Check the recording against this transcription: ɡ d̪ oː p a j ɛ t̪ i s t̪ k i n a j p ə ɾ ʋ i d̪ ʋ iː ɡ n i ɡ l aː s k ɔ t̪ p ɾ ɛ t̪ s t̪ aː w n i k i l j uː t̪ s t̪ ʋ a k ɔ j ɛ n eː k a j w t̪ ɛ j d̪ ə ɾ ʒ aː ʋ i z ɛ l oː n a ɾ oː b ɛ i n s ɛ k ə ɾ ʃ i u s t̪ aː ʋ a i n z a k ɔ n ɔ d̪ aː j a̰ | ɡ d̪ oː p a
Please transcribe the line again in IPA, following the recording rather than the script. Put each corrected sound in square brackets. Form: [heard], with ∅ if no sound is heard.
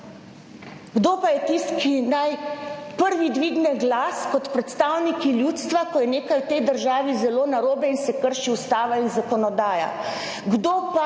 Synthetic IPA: ɡ d̪ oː p a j ɛ t̪ i s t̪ k i n a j p ə ɾ ʋ i d̪ ʋ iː ɡ n [ɛ] ɡ l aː s k ɔ t̪ p ɾ ɛ t̪ s t̪ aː w n i k i l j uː t̪ s t̪ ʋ a k ɔ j ɛ n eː k a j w t̪ ɛ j d̪ ə ɾ ʒ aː ʋ i z ɛ l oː n a ɾ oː b ɛ i n s ɛ k ə ɾ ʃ i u s t̪ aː ʋ a i n z a k ɔ n ɔ d̪ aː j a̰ | ɡ d̪ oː p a